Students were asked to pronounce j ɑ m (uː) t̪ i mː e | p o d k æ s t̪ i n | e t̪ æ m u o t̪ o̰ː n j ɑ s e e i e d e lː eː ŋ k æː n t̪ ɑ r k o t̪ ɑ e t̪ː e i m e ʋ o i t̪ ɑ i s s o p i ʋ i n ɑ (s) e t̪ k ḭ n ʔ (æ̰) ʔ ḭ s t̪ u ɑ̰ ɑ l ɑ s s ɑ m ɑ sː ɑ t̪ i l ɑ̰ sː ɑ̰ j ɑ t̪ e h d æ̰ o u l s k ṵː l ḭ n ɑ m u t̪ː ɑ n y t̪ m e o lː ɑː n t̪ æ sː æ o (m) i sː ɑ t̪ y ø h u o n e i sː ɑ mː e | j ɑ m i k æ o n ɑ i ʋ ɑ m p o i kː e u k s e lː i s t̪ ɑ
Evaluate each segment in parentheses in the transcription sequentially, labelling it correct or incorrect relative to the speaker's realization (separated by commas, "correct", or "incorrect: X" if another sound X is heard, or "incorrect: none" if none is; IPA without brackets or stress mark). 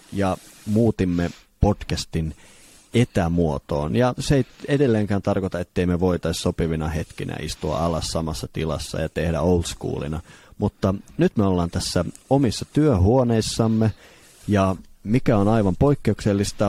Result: correct, incorrect: h, correct, correct